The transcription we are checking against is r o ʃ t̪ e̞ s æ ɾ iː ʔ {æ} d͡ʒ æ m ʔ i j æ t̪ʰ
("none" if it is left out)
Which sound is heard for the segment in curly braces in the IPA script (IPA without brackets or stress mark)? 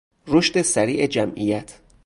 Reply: e